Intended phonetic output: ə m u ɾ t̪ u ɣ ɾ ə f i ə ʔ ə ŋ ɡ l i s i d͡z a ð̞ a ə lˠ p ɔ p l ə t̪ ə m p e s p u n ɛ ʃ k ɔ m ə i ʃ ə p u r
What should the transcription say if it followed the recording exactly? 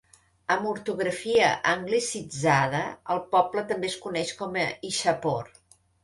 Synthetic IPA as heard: ə m u ɾ t̪ u ɣ ɾ ə f i ə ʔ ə ŋ ɡ l i s i d͡z a ð̞ ə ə lˠ p ɔ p l ə t̪ ə m b e s k u n ɛ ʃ k ɔ m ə i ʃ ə p o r